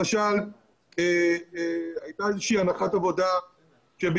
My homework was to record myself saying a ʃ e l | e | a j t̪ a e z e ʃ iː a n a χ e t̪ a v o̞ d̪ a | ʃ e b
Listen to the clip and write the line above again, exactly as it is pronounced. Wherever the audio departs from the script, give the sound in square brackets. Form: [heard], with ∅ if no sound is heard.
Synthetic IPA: a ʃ [a] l | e | a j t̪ a e z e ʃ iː a n a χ [a] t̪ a v o̞ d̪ a | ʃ e b